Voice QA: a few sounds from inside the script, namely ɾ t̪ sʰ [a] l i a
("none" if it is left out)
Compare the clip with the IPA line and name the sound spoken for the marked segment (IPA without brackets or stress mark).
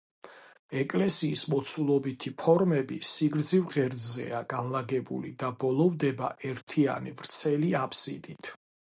ɛ